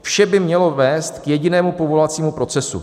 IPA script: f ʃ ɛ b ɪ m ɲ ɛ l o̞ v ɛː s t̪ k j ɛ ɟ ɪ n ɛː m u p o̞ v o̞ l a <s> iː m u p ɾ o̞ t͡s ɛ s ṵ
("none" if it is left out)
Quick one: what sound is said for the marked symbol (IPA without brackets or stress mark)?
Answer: t͡s